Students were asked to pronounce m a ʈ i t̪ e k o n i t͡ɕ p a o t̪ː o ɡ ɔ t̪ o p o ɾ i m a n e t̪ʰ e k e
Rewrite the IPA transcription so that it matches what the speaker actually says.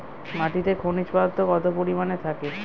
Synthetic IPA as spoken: m a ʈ i t̪ e kʰ o n i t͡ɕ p a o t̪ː o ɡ ɔ t̪ o p o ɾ i m a n e t̪ʰ a k e

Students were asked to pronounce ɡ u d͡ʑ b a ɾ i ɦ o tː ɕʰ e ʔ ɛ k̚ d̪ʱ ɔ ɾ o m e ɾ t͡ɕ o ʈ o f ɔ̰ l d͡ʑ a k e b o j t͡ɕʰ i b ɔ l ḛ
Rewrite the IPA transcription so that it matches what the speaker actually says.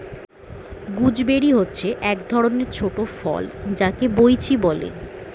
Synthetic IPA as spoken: ɡ u d͡ʑ b e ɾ i ɦ o tː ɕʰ e ʔ ɛ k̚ d̪ʱ ɔ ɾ o n e ɾ t͡ɕʰ o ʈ o f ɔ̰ l d͡ʑ a k e b o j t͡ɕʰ i b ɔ l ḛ

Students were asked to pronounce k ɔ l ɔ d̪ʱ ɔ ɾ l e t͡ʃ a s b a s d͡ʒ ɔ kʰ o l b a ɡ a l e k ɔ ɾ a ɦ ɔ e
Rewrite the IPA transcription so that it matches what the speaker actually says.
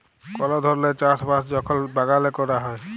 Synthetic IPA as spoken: k ɔ l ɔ d̪ʱ ɔ ɾ l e t͡ʃ a s b a s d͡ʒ ɔ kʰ ɔ l b a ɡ a l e k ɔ ɾ a ɦ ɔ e

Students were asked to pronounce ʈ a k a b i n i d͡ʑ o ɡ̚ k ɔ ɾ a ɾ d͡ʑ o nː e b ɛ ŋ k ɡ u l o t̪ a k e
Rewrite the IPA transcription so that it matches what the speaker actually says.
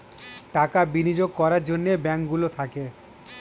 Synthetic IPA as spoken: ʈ a k a b i n i d͡ʑ o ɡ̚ k ɔ ɾ a ɾ d͡ʑ o nː e b ɛ ŋ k ɡ u l o t̪ʰ a k e

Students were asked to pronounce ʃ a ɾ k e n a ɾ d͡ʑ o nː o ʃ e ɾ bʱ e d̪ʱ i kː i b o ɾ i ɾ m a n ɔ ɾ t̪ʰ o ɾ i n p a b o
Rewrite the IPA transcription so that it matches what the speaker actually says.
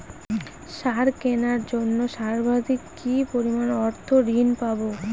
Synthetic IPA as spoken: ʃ a ɾ k e n a ɾ d͡ʑ o nː o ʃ a ɾ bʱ a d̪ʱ i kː i p o ɾ i m a n ɔ ɾ t̪ʰ o ɾ i n p a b o

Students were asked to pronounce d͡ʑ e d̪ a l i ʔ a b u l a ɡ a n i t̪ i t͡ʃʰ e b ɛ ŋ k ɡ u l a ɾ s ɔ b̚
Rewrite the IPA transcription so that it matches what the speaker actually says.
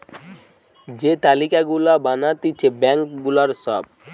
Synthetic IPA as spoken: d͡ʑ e t̪ a l i k a ɡ u l a b a n a t̪ i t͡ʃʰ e b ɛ ŋ k ɡ u l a ɾ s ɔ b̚

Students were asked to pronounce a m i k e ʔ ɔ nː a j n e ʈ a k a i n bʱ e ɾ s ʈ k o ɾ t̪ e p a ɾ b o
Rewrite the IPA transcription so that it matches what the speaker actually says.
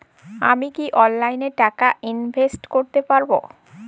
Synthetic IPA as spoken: a m i k i ʔ ɔ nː a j n e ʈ a k a i n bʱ e s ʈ k o ɾ t̪ e p a ɾ b o

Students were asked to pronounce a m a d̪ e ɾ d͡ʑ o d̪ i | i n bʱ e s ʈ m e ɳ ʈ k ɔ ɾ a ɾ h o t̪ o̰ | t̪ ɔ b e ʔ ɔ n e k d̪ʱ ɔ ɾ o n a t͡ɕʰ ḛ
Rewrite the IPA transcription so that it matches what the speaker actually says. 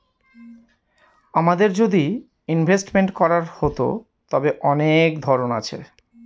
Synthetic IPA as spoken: a m a d̪ e ɾ d͡ʑ o d̪ i | i n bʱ e s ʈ m e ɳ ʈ k ɔ ɾ a ɾ h o t̪ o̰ | t̪ ɔ b e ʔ ɔ n e k d̪ʱ ɔ ɾ o n a t͡ɕʰ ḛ

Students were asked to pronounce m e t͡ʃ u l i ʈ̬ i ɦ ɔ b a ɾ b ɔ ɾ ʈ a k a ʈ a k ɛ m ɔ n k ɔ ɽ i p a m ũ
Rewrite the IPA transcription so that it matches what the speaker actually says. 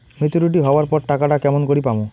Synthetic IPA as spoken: m e t͡ʃ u ɾ i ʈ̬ i ɦ ɔ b a ɾ p ɔ ɾ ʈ a k a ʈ a k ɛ m ɔ n k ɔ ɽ i p a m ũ

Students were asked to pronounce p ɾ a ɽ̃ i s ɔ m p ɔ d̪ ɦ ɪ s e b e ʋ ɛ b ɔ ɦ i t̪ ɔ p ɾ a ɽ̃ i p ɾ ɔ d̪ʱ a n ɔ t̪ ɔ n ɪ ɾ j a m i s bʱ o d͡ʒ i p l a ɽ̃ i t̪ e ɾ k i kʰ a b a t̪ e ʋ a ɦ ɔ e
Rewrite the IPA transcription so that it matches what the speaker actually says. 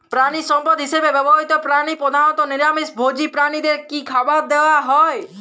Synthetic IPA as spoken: p ɾ a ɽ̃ i s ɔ m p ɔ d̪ ɦ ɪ s e b e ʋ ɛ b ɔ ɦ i t̪ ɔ p ɾ a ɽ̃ i p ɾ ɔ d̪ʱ a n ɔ t̪ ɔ n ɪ ɾ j a m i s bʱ o d͡ʒ i p ɾ a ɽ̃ i d̪ e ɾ k i kʰ a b a d̪ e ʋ a ɦ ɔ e

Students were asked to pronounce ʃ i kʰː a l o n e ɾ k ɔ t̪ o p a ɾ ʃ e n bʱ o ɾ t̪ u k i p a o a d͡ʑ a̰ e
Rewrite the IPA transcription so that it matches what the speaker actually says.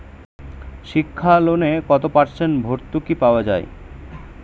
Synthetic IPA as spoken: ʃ i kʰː a l o n e k ɔ t̪ o p a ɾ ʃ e n bʱ o ɾ t̪ u k i p a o a d͡ʑ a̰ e

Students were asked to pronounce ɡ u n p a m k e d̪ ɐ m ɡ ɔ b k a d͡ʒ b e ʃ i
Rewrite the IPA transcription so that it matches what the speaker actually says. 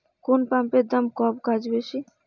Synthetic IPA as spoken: k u n p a m p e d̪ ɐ m k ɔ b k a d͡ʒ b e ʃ i

